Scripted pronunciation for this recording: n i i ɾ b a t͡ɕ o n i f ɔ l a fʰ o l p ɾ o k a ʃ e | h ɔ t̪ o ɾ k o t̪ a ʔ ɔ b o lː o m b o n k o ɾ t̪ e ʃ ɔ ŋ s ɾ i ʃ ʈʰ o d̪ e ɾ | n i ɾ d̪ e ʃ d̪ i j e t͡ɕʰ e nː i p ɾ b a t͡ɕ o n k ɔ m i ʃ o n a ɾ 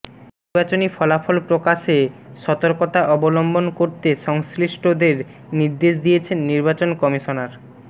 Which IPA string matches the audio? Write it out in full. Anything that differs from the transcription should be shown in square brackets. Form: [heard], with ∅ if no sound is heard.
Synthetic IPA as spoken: n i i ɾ b a t͡ɕ o n i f ɔ l a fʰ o l p ɾ o k a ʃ e | [ʃ] ɔ t̪ o ɾ k o t̪ a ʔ ɔ b o [l] o m b o n k o ɾ t̪ e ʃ ɔ ŋ s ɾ i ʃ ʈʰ o d̪ e ɾ | n i ɾ d̪ e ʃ d̪ i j e t͡ɕʰ e nː i [∅] ɾ b a t͡ɕ o n k ɔ m i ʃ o n a ɾ